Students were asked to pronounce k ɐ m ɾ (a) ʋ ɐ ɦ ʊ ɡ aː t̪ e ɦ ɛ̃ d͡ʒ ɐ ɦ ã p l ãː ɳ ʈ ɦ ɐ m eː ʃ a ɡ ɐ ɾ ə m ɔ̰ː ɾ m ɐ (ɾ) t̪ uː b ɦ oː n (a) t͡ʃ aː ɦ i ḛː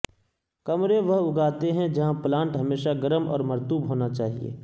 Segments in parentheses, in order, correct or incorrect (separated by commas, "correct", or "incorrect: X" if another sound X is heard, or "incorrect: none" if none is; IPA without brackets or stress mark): incorrect: e, correct, correct